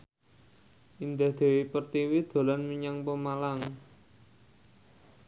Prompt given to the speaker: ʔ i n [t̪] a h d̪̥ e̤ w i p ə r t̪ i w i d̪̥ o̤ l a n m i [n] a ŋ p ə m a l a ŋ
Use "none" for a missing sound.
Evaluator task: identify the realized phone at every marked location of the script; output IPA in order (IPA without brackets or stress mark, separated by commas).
d̪, ɲ